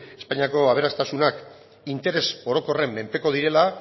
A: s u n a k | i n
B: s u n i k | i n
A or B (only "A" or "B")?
A